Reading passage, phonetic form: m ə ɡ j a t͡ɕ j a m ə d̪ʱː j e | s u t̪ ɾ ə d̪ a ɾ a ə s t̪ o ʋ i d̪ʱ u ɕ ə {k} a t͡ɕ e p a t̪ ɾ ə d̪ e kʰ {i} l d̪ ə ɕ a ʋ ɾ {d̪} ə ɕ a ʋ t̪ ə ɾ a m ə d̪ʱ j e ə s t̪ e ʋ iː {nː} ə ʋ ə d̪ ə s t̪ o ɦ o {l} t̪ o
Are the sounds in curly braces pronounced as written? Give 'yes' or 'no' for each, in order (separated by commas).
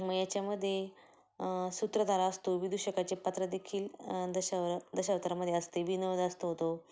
yes, no, yes, no, no